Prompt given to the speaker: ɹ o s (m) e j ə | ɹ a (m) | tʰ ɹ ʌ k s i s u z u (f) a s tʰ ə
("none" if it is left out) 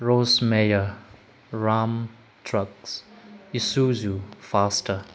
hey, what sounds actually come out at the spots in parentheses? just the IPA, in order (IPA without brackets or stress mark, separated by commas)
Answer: m, m, f